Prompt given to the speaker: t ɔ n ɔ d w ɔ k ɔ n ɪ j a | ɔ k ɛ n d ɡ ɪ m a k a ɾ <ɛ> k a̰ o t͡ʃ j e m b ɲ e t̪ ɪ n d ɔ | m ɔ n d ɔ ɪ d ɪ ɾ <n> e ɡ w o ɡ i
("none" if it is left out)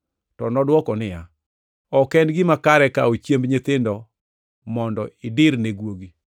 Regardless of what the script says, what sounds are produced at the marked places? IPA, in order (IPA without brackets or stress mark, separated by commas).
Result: ɛ, n